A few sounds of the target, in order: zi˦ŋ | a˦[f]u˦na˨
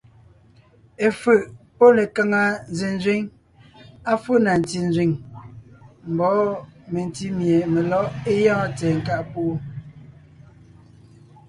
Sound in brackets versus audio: correct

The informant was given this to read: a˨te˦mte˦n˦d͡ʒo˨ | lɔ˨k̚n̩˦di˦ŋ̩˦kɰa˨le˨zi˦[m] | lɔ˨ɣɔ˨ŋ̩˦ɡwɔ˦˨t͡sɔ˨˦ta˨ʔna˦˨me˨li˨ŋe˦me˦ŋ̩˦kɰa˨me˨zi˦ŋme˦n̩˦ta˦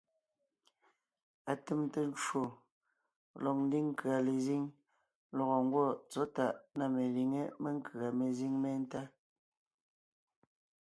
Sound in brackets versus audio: incorrect: ŋ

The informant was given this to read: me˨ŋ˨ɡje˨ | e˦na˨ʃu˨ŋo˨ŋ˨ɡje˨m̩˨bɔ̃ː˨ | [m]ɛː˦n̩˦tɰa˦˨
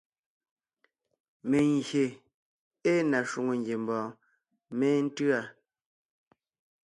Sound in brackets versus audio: correct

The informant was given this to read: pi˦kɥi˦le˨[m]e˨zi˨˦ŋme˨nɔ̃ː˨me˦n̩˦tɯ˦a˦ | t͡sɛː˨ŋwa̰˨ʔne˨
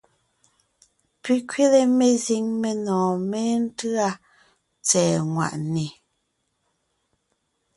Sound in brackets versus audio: correct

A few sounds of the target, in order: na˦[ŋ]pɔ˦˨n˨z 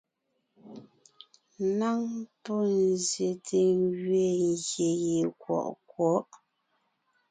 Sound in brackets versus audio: correct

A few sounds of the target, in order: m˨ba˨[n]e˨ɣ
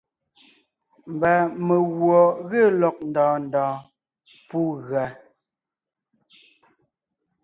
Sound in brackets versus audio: incorrect: m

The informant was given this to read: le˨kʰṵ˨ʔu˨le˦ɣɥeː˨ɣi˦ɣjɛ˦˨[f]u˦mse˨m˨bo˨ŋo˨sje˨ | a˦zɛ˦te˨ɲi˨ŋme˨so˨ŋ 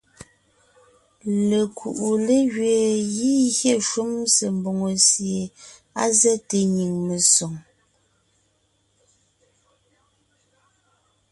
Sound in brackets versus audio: incorrect: ʃ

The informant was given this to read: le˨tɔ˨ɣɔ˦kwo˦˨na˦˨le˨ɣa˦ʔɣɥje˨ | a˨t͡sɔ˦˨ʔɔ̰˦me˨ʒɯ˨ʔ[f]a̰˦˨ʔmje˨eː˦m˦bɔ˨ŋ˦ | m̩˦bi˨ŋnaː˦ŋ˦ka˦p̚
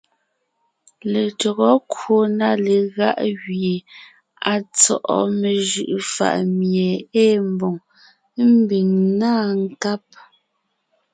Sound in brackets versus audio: correct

